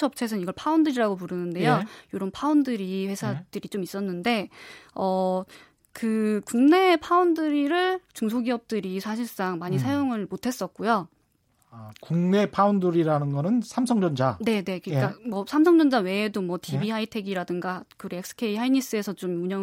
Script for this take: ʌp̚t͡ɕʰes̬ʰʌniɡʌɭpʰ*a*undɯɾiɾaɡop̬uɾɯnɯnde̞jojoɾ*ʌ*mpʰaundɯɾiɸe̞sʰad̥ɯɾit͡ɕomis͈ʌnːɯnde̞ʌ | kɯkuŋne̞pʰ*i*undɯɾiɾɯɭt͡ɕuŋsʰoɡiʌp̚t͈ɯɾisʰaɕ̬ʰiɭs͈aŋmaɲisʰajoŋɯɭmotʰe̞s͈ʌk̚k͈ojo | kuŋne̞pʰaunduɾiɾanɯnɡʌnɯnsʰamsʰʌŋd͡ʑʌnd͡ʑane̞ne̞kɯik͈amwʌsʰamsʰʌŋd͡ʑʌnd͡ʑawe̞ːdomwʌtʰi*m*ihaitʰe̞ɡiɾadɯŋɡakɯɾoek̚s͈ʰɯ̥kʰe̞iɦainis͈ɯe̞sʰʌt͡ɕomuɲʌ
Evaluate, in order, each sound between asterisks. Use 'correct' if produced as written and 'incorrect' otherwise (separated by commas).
correct, correct, incorrect, incorrect